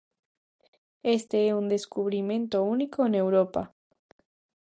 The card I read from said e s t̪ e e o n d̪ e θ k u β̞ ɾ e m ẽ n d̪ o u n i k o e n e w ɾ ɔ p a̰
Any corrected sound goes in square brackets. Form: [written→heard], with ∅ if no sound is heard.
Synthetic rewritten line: e s t̪ e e [o→u] n d̪ e [θ→s] k u β̞ ɾ [e→i] m ẽ n [d̪→t̪] o u n i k o e n e w ɾ [ɔ→o] p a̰